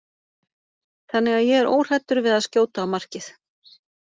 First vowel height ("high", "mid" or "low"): low